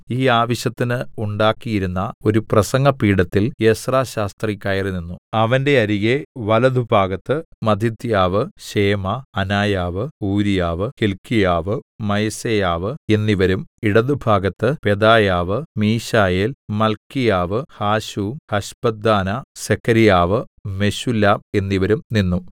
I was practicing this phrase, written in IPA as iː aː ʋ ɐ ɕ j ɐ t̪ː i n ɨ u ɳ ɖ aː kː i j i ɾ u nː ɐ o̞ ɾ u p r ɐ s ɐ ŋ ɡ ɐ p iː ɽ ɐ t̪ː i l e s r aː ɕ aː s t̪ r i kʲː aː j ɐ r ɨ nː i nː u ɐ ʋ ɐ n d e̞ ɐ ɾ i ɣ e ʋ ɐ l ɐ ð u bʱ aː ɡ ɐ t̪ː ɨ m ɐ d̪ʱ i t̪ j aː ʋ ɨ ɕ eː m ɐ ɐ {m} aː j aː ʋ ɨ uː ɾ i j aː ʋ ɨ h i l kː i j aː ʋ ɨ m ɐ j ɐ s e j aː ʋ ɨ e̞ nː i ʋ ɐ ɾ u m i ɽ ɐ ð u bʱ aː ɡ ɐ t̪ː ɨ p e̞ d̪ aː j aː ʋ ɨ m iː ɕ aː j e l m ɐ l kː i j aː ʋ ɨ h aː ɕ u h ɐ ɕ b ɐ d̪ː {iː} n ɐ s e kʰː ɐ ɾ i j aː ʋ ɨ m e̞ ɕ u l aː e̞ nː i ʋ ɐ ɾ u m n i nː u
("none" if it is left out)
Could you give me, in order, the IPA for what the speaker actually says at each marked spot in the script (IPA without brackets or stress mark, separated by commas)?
n, aː